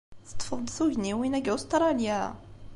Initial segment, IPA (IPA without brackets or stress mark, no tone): θ